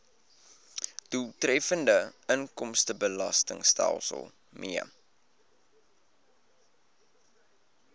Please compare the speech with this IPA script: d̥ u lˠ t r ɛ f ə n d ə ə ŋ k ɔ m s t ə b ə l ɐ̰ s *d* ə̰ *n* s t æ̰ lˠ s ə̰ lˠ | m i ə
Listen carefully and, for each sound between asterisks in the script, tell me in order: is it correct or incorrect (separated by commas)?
incorrect, incorrect